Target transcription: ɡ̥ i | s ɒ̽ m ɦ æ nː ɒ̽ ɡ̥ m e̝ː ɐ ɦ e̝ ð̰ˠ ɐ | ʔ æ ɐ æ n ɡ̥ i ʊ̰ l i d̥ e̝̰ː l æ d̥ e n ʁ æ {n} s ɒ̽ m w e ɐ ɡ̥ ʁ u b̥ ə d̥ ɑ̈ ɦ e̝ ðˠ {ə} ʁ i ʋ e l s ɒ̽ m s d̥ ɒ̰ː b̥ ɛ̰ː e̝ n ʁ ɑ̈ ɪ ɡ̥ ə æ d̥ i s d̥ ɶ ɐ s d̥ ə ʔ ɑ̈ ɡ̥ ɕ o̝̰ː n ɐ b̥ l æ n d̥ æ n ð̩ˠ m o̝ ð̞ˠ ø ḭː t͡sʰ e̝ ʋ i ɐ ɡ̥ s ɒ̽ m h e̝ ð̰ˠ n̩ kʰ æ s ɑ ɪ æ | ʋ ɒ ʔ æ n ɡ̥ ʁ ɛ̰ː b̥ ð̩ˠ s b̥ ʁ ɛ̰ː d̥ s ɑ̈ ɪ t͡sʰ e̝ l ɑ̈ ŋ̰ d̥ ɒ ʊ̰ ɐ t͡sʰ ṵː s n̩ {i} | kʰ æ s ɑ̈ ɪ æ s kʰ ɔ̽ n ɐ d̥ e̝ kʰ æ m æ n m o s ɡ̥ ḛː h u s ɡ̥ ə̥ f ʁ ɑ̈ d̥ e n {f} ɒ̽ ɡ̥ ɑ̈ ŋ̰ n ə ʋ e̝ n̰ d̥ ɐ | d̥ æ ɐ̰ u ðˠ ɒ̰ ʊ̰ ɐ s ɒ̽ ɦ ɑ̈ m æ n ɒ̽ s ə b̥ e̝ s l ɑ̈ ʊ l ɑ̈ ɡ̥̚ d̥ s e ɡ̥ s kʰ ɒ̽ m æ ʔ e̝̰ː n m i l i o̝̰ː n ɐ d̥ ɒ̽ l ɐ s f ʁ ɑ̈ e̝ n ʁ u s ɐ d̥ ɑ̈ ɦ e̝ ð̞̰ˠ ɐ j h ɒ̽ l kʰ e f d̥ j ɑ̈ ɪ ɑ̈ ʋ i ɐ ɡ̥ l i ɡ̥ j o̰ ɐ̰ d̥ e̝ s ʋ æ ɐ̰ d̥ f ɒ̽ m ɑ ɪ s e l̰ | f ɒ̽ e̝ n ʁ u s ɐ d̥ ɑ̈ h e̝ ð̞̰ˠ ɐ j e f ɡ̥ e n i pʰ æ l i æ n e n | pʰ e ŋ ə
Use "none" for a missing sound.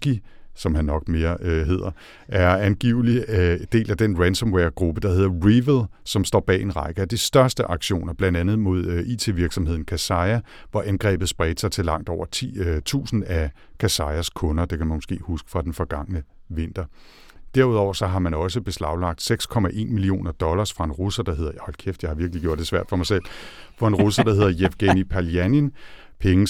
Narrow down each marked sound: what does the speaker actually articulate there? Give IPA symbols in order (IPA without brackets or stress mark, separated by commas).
n, ɐ, æ, f